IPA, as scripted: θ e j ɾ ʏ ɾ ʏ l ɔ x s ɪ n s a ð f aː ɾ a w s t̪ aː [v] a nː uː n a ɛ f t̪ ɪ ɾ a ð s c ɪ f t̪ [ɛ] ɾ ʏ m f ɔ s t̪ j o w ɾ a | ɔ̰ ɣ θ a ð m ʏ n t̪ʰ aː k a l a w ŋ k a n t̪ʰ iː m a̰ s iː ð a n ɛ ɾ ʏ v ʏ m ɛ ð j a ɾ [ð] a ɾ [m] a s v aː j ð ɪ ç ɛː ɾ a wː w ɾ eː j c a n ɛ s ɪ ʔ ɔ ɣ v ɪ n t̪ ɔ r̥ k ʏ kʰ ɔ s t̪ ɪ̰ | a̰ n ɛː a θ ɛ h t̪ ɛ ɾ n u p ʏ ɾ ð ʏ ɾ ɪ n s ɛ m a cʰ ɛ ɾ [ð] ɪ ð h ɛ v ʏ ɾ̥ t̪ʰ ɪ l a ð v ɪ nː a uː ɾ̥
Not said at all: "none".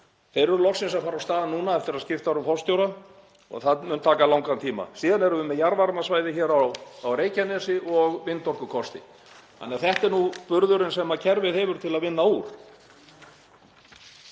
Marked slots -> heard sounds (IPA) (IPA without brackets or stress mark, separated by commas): ð, a, v, m, v